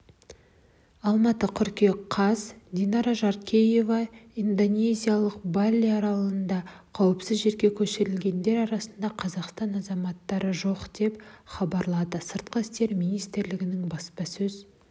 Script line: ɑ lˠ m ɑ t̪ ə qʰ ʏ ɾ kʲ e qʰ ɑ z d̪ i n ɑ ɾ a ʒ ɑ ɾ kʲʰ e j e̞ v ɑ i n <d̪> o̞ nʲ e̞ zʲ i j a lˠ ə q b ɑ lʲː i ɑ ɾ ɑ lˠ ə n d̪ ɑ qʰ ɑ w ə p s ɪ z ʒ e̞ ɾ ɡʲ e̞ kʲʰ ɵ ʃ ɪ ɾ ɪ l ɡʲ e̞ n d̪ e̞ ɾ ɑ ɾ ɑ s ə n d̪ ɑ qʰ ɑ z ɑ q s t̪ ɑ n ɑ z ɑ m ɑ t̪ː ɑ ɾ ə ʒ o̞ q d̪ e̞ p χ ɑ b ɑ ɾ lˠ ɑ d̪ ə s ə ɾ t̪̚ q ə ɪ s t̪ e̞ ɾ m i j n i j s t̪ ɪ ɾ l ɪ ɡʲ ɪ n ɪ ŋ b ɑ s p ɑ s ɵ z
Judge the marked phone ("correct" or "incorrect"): correct